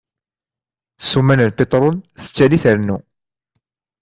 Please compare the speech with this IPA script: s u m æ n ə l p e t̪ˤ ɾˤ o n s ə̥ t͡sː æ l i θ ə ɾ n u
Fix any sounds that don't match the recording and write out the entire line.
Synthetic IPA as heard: s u m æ n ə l p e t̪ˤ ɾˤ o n θ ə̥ t͡sː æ l i θ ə ɾ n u